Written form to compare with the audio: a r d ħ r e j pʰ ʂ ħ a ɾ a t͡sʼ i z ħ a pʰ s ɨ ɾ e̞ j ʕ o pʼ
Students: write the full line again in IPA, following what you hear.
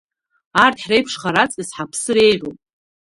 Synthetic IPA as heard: a r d ħ r e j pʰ ʂ χ a ɾ a t͡sʼ i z ħ a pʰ s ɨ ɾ e̞ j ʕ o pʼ